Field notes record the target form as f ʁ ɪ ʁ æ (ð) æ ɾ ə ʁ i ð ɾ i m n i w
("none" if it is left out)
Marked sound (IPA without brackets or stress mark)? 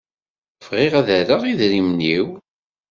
ð